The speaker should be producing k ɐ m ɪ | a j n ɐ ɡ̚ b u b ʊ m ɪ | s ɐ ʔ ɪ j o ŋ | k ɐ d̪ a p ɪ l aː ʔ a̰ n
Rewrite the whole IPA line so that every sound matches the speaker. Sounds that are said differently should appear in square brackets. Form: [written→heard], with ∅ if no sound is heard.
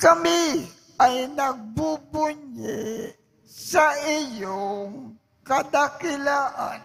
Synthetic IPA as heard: k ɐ m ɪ | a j n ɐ ɡ̚ b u b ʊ [m→ɲ] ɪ | s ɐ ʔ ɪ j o ŋ | k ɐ d̪ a [p→k] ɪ l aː ʔ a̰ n